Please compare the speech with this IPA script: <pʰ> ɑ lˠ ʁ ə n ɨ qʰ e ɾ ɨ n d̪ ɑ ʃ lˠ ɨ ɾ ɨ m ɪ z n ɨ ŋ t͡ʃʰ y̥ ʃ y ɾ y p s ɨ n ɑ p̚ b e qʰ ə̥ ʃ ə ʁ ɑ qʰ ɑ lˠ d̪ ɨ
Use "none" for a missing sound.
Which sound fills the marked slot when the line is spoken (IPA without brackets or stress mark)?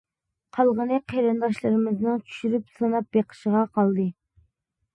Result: qʰ